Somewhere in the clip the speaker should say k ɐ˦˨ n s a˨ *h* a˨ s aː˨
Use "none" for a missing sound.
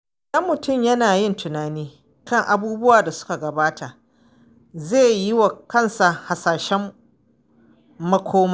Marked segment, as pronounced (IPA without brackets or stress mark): h